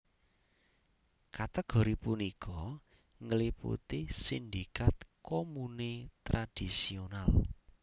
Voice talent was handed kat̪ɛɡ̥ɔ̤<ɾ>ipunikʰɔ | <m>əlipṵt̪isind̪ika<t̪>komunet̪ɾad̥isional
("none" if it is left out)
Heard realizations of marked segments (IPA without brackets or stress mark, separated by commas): ɾ, ŋ, t̪